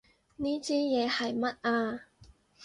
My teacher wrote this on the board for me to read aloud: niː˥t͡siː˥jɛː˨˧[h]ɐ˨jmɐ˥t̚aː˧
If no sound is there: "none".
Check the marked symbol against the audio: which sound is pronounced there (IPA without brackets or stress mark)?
h